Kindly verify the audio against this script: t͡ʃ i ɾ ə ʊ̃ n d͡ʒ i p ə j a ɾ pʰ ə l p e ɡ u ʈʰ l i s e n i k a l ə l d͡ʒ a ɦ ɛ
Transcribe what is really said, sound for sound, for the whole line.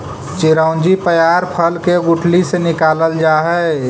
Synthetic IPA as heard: t͡ʃ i ɾ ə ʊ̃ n d͡ʒ i p ə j a ɾ pʰ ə l k e ɡ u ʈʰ l i s e n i k a l ə l d͡ʒ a ɦ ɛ